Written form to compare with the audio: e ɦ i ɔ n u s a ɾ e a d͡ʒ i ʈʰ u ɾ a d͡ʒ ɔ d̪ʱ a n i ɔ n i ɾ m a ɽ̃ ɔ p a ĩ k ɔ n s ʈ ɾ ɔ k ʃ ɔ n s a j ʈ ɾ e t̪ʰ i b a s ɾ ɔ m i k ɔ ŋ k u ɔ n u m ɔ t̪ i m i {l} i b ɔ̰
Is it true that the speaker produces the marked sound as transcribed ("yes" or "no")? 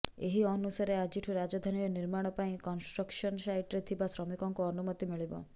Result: no